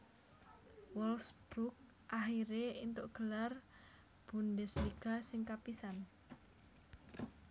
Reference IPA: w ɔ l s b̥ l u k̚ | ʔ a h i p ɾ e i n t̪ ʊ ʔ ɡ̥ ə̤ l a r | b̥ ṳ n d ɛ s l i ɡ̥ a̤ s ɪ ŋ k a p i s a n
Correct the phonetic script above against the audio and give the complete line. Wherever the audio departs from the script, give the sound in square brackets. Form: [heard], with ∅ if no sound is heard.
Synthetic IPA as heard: w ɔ l s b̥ [ɾ] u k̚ | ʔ a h i [∅] ɾ e i n t̪ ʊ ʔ ɡ̥ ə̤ l a r | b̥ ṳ n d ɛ s l i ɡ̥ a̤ s ɪ ŋ k a p i s a n